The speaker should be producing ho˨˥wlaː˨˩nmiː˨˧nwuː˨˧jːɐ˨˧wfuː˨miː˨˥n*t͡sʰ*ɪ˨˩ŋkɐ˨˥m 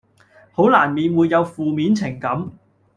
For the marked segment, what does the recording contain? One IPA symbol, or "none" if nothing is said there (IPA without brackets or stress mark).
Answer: t͡sʰ